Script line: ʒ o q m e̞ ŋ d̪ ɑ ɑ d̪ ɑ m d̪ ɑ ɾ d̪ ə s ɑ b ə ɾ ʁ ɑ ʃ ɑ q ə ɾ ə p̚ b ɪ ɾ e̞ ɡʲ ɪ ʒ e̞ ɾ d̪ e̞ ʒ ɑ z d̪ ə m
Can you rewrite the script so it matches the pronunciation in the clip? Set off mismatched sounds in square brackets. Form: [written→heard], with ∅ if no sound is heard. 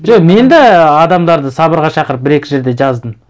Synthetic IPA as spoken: ʒ o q m e̞ [ŋ→n] d̪ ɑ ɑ d̪ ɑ m d̪ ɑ ɾ d̪ ə s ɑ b ə ɾ ʁ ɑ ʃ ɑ q ə ɾ ə p̚ b ɪ ɾ e̞ [ɡʲ→kʲ] ɪ ʒ e̞ ɾ d̪ e̞ ʒ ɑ z d̪ ə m